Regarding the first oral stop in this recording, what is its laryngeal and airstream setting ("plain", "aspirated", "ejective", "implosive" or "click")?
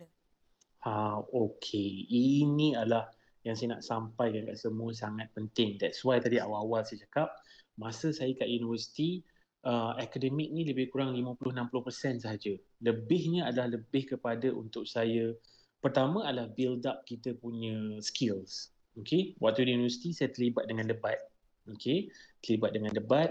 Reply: aspirated